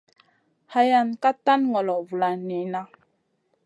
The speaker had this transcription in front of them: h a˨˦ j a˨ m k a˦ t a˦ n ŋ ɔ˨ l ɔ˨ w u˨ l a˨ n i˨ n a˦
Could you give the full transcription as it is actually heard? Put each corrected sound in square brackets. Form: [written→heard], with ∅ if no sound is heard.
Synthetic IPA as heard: h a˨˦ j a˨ [m→n] k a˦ t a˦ n ŋ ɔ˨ l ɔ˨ [w→v] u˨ l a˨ n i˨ n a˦